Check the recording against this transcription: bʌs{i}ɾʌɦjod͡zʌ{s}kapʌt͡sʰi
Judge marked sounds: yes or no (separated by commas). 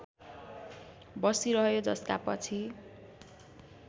yes, yes